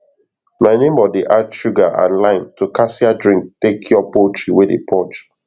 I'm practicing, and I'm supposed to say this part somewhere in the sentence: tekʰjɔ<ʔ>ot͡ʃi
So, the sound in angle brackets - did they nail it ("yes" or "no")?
no